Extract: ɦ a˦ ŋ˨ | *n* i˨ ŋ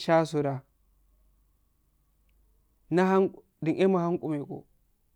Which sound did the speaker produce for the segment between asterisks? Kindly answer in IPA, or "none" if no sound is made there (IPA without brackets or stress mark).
d